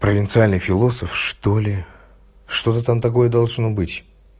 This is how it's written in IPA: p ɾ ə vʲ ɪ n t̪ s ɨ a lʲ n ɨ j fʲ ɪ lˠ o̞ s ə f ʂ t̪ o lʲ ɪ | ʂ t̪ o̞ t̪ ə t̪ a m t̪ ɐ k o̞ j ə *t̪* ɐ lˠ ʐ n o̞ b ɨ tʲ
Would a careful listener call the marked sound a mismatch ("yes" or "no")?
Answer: yes